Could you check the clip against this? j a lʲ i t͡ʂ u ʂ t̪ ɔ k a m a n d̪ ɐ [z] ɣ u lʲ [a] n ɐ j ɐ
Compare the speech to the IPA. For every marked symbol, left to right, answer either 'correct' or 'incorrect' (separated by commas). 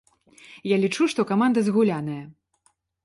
correct, correct